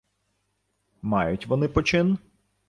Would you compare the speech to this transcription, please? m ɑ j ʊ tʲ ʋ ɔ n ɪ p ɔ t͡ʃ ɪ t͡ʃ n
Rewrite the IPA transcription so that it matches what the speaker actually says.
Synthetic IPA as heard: m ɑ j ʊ tʲ ʋ ɔ n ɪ p ɔ t͡ʃ ɪ n